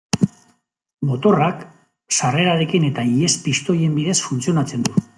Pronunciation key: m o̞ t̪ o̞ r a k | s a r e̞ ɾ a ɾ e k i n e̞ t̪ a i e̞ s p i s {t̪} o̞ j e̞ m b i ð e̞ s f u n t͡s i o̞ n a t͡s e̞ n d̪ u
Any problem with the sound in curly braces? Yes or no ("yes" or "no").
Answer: no